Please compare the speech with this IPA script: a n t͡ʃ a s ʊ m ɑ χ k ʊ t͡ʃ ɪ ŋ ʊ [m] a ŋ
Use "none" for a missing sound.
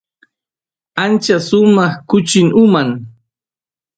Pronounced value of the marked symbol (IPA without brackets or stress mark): m